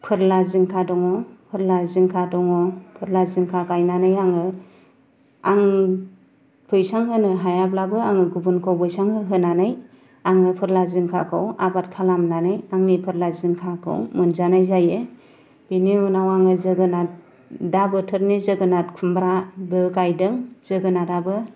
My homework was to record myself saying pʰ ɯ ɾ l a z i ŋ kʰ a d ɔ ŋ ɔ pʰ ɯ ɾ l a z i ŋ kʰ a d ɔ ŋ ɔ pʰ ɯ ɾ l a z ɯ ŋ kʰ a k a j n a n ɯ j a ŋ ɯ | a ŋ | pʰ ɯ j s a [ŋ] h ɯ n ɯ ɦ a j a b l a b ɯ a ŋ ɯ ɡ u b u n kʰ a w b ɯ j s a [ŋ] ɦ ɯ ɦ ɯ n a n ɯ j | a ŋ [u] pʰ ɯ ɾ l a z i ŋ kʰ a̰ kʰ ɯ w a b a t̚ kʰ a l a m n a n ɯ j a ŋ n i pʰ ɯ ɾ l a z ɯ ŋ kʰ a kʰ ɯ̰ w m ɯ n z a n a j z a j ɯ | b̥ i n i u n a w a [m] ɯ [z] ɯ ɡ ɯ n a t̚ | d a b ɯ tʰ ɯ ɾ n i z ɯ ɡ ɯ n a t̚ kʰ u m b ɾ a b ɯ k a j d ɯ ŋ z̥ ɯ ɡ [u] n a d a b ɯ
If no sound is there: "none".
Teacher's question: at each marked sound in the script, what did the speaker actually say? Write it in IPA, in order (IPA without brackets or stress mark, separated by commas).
ŋ, ŋ, ɯ, ŋ, z, ɯ